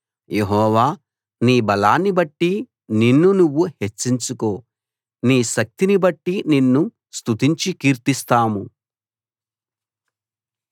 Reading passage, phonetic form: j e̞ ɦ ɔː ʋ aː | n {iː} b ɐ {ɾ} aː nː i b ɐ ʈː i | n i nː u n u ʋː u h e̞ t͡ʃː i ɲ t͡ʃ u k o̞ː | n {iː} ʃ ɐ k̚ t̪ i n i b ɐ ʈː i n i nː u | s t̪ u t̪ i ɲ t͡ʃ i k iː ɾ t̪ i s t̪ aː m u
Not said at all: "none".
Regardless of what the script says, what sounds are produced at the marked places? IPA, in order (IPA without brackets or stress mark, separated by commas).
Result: iː, l, iː